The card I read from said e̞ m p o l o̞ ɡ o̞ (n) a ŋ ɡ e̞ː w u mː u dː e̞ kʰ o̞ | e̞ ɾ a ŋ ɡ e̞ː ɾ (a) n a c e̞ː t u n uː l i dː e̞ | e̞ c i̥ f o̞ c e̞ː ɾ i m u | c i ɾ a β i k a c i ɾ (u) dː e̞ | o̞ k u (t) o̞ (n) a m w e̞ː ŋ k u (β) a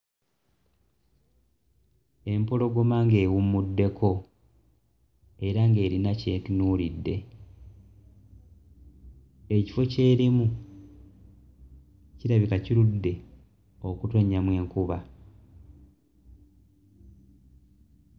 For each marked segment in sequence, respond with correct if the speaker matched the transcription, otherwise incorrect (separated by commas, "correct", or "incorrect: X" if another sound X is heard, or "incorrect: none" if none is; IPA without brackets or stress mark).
incorrect: m, incorrect: i, correct, correct, incorrect: ɲ, correct